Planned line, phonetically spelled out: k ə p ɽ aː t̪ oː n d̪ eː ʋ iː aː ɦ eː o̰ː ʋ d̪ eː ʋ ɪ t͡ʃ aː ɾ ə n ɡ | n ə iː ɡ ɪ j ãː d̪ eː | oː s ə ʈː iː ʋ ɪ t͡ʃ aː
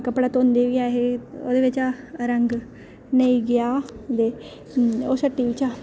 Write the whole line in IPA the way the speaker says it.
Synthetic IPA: k ə p ɽ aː t̪ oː n d̪ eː ʋ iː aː ɦ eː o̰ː d̪ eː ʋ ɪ t͡ʃ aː ɾ ə ŋ ɡ | n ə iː ɡ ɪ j aː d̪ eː | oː s ə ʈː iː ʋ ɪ t͡ʃ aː

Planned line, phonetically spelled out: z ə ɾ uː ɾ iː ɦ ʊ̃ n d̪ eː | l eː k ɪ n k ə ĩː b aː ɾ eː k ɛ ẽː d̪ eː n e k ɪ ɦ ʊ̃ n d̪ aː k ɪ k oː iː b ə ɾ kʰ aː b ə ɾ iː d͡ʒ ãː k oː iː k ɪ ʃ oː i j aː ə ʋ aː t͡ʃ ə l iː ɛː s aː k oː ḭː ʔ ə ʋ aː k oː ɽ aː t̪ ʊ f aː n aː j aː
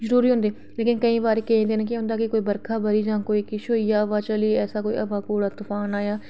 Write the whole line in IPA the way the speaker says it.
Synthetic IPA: z ə ɾ uː ɾ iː ɦ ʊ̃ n d̪ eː | l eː k ɪ n k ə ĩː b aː ɾ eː k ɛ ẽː d̪ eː n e k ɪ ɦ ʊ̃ n d̪ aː k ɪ k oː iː b ə ɾ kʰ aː b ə ɾ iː d͡ʒ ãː k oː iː k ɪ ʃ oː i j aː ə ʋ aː t͡ʃ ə l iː ɛː s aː k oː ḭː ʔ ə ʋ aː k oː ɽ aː t̪ ʊ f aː n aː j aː

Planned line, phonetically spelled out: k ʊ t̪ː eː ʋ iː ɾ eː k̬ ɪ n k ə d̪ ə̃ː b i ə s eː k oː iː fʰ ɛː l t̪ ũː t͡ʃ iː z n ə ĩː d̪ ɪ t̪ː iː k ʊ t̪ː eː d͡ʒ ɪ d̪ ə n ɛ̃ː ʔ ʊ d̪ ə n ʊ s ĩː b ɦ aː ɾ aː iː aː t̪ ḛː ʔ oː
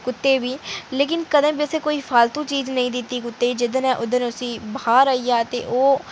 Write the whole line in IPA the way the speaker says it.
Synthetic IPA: k ʊ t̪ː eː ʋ iː l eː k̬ ɪ n k ə d̪ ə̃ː b i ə s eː k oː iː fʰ aː l t̪ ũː t͡ʃ iː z n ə ĩː d̪ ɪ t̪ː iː k ʊ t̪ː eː d͡ʒ ɪ d̪ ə n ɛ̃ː ʔ ʊ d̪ ə n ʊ s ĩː b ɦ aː ɾ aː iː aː t̪ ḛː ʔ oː

